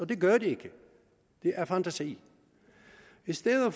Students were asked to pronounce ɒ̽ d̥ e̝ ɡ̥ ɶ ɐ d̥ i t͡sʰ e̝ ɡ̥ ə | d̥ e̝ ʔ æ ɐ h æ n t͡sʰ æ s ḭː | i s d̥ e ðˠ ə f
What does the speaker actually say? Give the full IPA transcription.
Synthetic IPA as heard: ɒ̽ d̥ e̝ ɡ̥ ɶ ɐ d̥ i e̝ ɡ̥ ə | d̥ e̝ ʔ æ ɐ f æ n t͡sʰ æ s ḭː | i s d̥ e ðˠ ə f